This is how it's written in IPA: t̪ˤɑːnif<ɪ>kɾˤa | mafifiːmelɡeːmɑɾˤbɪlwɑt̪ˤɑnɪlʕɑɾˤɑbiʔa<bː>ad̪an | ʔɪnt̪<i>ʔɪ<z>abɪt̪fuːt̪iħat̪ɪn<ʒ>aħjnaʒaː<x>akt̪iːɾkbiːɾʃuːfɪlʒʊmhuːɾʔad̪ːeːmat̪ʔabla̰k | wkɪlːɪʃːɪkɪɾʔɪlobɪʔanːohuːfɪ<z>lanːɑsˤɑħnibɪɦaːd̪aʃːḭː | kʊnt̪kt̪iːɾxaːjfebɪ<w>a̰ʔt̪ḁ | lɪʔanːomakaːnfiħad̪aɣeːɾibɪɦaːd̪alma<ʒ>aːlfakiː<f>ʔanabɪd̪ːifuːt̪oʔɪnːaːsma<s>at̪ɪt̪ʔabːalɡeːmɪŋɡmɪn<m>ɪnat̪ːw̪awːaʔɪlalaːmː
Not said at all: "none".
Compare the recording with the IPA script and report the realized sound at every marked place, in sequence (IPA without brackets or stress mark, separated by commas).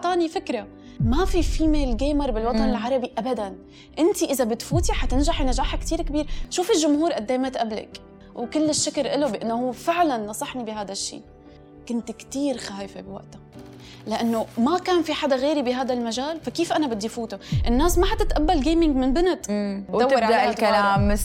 ɪ, b, i, z, ʒ, ħ, ʕ, w, ʒ, f, ħ, b